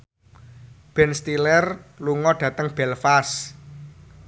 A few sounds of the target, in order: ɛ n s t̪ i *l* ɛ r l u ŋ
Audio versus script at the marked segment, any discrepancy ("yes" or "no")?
no